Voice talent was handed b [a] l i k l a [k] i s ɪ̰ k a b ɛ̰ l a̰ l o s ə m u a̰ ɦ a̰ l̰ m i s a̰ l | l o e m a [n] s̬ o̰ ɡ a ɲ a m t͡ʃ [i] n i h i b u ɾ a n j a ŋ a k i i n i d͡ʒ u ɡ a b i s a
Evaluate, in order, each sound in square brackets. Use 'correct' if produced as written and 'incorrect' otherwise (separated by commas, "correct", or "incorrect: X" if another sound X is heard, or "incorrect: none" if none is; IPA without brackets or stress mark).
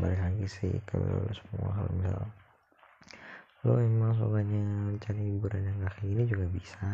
correct, incorrect: ɡ, incorrect: ŋ, incorrect: a